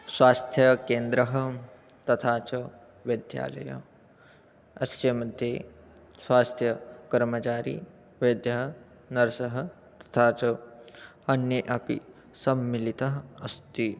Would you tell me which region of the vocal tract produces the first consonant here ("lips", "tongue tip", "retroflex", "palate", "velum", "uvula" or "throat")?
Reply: tongue tip